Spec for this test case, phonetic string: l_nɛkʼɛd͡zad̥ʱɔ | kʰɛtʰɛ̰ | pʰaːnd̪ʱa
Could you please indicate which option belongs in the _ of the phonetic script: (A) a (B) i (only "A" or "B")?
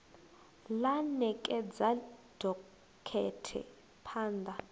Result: A